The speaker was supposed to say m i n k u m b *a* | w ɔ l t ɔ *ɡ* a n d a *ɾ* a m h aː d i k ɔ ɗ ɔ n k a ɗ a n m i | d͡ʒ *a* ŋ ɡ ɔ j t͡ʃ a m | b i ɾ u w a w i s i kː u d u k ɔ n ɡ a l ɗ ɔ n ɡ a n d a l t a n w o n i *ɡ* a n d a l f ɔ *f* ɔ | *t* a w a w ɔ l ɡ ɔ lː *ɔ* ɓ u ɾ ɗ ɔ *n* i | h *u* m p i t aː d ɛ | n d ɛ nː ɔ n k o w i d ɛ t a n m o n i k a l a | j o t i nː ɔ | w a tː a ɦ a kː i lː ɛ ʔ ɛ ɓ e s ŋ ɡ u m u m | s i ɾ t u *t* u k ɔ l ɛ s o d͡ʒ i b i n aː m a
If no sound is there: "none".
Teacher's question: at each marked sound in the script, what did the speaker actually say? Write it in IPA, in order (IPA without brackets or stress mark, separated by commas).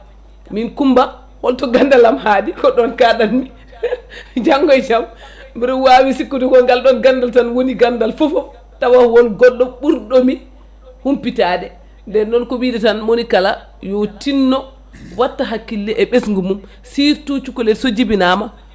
a, ɡ, l, a, ɡ, f, t, ɔ, m, u, t͡ʃ